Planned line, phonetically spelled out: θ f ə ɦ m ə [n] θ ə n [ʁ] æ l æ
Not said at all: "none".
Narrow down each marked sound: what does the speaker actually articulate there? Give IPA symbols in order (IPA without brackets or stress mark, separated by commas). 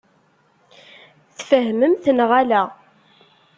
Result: m, ʁ